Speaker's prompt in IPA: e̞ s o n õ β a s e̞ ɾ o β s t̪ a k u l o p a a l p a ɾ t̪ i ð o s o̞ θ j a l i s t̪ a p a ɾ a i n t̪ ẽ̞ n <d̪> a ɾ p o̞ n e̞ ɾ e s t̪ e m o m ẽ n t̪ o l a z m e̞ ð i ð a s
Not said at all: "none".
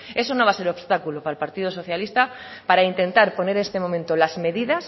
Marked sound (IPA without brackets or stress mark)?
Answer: t̪